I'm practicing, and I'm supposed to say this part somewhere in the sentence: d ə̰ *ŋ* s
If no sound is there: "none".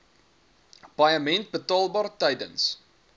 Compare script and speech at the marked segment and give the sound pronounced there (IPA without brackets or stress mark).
n